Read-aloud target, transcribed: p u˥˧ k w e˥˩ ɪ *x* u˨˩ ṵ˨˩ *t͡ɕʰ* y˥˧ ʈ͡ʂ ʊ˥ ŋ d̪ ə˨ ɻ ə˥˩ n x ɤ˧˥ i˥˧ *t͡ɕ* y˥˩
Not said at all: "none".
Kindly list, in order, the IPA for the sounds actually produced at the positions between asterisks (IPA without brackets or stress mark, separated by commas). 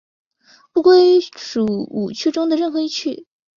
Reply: ʂ, t͡ɕʰ, t͡ɕʰ